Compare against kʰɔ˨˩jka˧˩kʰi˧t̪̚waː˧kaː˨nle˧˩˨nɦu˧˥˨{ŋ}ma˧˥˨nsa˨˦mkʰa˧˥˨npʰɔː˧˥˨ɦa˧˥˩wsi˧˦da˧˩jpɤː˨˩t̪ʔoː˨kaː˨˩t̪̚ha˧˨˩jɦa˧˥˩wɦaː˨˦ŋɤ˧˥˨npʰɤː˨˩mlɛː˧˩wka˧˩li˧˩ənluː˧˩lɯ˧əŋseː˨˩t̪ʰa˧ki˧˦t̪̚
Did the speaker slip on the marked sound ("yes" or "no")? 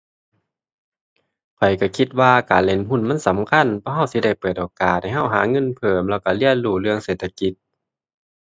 yes